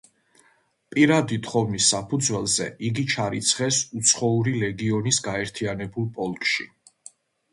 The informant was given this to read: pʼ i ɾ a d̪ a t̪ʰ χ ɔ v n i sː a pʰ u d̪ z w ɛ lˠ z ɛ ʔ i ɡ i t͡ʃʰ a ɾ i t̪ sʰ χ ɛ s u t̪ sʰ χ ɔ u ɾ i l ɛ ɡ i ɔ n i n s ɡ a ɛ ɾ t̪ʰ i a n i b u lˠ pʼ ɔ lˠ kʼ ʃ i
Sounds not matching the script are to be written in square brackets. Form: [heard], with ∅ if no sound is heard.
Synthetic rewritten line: pʼ i ɾ a d̪ [i] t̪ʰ χ ɔ v n i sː a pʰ u d̪ z w ɛ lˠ z ɛ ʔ i ɡ i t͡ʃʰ a ɾ i t̪ sʰ χ ɛ s u t̪ sʰ χ ɔ u ɾ i l ɛ ɡ i ɔ n i [∅] s ɡ a ɛ ɾ t̪ʰ i a n [ɛ] b u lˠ pʼ ɔ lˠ kʼ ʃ i